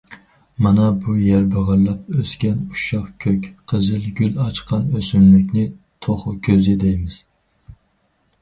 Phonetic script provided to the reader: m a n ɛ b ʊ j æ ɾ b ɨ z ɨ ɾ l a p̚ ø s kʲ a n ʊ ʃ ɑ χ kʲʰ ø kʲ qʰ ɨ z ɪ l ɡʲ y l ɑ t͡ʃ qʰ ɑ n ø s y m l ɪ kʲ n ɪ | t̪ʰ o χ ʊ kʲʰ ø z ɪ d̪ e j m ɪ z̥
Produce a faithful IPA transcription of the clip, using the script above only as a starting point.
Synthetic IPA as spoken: m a n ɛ b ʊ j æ ɾ b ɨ ʁ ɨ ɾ l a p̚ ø s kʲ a n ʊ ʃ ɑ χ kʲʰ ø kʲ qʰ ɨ z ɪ l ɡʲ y l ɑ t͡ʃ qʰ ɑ n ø s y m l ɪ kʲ n ɪ | t̪ʰ o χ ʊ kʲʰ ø z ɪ d̪ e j m ɪ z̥